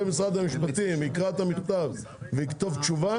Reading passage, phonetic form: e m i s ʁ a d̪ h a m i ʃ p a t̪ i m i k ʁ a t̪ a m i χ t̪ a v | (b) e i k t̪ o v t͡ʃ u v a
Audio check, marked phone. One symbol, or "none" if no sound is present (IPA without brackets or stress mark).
v